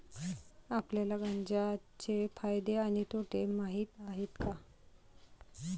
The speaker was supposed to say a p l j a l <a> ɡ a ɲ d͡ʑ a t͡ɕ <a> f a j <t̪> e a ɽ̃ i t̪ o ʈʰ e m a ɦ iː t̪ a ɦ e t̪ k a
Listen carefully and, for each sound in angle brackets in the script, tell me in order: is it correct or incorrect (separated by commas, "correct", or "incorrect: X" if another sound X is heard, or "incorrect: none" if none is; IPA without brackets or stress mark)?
correct, incorrect: e, incorrect: d̪